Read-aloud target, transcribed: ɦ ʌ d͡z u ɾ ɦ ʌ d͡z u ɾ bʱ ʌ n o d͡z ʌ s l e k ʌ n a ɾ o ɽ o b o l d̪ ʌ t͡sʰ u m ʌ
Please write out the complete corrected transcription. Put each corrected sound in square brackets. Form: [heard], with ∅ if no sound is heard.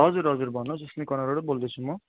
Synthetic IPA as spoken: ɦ ʌ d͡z u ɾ ɦ ʌ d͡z u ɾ bʱ ʌ n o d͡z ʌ s l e k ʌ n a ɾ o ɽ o b o l d̪ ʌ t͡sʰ u m ʌ